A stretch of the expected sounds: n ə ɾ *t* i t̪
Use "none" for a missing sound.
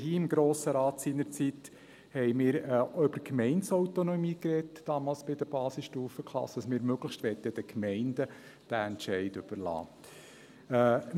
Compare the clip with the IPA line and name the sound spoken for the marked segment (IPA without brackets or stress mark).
t͡s